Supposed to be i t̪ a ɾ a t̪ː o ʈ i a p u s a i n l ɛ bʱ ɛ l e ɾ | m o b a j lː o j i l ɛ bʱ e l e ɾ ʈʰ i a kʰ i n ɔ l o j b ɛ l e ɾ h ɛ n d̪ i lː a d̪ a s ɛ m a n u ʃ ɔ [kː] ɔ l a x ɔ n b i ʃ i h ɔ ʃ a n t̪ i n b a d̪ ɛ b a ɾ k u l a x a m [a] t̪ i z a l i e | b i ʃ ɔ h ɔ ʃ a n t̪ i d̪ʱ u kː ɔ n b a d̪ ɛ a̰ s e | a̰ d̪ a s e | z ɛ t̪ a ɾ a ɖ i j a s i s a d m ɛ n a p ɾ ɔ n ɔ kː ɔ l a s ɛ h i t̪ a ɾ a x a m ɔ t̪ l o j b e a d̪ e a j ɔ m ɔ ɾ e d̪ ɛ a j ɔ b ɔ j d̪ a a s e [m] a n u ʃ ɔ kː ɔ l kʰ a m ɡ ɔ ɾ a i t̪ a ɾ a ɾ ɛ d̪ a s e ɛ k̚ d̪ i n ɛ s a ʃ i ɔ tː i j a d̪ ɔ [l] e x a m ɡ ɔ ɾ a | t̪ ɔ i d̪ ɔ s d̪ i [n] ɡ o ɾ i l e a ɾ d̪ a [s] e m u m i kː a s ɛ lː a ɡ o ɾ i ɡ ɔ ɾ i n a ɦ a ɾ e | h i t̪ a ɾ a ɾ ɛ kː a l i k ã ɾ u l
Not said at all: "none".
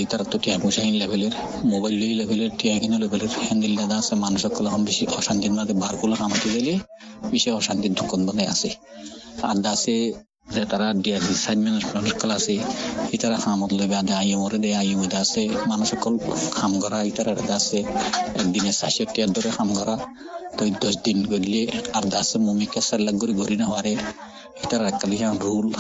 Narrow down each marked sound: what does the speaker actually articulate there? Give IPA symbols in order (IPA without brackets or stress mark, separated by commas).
kː, a, m, ɾ, n, s